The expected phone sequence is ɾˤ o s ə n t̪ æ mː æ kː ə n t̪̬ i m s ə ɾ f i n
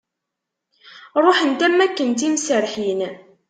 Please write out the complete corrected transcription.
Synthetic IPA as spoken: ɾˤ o ħ ə n t̪ æ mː æ kː ə n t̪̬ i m s ə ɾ ħ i n